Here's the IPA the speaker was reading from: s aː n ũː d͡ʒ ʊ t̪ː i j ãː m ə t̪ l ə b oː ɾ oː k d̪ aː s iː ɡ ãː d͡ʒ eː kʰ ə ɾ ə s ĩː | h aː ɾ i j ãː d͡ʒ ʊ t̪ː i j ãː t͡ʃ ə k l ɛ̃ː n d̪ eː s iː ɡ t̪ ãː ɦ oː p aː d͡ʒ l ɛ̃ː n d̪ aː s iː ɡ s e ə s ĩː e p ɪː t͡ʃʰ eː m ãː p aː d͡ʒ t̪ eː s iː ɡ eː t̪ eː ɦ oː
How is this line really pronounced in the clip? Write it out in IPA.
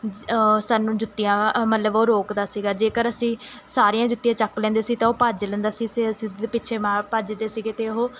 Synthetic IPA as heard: s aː n ũː d͡ʒ ʊ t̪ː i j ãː m ə t̪ l ə b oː ɾ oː k d̪ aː s iː ɡ aː d͡ʒ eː k ə ɾ ə s ĩː | s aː ɾ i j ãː d͡ʒ ʊ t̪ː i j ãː t͡ʃ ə k l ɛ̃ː n d̪ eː s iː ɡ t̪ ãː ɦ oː p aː d͡ʒ l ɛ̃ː n d̪ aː s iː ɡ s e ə s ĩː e p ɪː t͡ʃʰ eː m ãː p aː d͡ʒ d̪ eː s iː ɡ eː t̪ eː ɦ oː